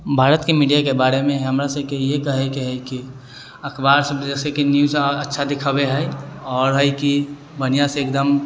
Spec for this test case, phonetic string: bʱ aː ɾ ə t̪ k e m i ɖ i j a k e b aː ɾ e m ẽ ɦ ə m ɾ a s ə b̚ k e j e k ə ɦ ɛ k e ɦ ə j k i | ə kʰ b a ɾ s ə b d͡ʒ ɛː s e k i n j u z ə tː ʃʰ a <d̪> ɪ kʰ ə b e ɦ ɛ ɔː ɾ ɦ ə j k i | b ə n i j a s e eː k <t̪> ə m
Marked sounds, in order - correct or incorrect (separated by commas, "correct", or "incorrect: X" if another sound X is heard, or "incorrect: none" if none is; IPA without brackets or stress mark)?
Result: correct, incorrect: d̪